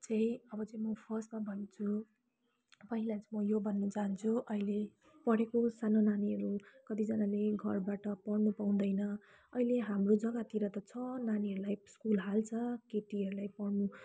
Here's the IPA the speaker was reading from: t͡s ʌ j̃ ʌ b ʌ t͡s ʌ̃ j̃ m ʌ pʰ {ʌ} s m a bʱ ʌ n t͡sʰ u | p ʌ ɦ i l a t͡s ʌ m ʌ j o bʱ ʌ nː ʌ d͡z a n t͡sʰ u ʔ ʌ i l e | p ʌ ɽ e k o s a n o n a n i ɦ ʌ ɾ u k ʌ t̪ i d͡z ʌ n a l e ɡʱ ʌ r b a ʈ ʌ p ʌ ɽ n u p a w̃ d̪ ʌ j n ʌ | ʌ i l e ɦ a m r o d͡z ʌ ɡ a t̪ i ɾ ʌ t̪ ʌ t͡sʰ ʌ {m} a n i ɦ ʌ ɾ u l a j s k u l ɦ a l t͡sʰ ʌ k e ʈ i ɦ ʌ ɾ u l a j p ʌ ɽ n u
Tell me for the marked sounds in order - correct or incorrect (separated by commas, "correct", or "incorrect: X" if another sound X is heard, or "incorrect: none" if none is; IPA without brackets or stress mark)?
correct, incorrect: n